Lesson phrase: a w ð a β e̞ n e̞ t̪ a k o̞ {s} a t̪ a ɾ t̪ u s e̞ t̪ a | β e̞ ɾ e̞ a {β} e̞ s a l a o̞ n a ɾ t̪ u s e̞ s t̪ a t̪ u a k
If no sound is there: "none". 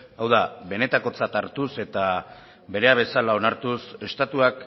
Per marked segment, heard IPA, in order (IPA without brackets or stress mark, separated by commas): t͡s, β